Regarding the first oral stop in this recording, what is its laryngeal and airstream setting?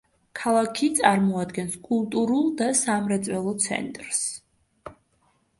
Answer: aspirated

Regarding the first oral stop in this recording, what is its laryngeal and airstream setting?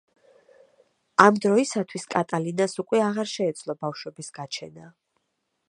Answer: plain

